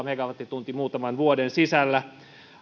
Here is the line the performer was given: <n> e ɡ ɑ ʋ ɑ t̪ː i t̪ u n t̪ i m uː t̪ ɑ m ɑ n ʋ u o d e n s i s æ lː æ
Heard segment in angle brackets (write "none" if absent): m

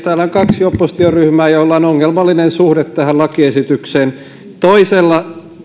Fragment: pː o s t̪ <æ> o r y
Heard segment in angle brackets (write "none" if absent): i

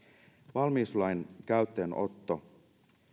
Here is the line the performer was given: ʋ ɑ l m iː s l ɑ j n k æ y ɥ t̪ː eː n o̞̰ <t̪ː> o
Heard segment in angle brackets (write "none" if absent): t̪ː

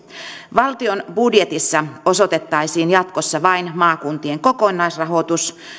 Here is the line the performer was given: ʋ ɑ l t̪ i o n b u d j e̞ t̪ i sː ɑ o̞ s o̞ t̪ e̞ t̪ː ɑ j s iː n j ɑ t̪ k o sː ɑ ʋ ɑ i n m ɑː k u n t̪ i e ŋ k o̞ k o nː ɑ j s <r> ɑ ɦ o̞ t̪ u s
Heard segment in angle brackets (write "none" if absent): r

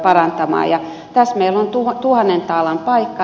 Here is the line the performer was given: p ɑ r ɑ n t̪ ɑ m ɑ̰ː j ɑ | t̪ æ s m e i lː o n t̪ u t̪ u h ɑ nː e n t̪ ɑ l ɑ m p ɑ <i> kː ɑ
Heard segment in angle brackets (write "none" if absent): i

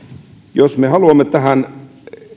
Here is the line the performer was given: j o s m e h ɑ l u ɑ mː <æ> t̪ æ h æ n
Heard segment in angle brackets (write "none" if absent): e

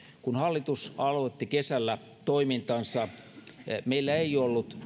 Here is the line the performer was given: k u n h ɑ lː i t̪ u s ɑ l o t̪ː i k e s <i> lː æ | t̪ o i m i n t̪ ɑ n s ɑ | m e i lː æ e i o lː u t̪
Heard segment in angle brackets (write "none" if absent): æ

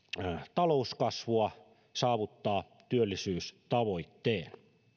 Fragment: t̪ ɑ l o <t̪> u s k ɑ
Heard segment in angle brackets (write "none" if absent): none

